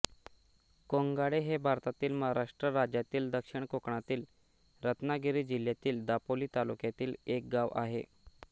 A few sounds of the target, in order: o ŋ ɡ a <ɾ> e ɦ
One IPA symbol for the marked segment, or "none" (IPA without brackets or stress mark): ɽ